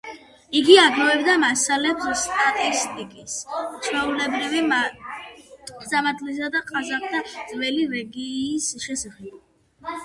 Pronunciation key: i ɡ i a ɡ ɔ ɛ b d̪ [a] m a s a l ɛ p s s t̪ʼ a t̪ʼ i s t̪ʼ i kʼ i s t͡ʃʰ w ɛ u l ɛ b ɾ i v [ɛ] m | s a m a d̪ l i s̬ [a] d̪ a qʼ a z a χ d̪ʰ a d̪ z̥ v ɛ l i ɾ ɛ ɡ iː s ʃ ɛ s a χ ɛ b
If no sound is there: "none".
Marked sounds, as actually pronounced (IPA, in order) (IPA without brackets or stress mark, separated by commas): a, i, a